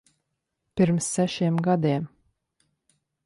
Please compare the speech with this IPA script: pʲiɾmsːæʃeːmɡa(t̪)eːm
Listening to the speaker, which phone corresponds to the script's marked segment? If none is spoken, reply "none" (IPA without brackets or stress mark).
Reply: d̪